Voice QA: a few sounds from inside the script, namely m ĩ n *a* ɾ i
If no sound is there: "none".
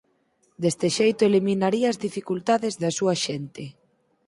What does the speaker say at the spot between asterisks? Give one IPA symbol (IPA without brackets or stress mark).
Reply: a